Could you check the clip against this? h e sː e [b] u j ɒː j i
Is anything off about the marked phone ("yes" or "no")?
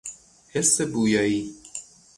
no